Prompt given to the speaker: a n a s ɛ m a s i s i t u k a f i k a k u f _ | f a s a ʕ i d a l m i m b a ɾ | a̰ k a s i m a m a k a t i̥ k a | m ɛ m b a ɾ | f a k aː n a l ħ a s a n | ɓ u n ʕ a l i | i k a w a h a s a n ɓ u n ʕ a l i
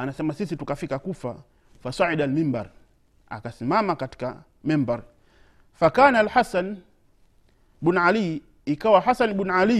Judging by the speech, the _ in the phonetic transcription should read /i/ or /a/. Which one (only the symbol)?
a